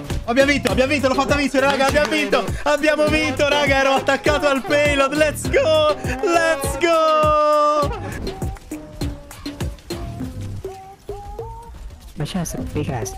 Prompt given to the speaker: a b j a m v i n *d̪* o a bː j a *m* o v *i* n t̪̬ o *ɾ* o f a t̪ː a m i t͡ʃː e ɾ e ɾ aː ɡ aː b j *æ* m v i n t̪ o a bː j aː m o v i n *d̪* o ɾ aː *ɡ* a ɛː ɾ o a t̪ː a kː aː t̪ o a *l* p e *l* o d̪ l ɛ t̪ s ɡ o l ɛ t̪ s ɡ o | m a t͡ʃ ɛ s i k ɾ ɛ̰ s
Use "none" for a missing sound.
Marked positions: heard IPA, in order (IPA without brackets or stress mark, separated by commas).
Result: t̪, m, i, l, a, t̪, ɡ, l, l